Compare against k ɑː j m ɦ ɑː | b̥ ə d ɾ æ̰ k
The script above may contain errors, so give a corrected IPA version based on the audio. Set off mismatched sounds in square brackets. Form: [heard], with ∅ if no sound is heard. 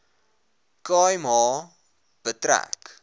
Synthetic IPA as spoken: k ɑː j m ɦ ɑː | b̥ ə [t] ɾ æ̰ k